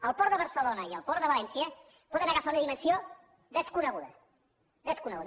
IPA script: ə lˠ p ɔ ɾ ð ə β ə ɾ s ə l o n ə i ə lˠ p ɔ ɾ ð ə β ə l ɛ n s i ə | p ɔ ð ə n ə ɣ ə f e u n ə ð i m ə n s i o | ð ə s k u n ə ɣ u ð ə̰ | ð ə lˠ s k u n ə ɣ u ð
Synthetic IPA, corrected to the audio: ə lˠ p ɔ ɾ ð ə β ə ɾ s ə l o n ə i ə lˠ p ɔ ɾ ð ə β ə l ɛ n s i ə | p ɔ ð ə n ə ɣ ə f a u n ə ð i m ə n s i o | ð ə s k u n ə ɣ u ð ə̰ | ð ə s k u n ə ɣ u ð